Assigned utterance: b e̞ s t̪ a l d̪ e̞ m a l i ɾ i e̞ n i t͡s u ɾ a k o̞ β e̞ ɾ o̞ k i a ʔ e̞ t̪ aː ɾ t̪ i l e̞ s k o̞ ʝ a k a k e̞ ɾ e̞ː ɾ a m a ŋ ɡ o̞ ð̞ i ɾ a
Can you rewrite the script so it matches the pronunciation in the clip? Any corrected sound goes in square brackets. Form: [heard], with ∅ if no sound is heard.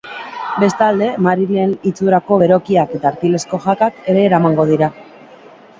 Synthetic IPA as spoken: b e̞ s t̪ a l d̪ e̞ m a [ɾ] i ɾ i e̞ n i t͡s u ɾ a k o̞ β e̞ ɾ o̞ k i a [k] e̞ t̪ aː ɾ t̪ i l e̞ s k o̞ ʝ a k a k e̞ ɾ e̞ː ɾ a m a ŋ ɡ o̞ ð̞ i ɾ a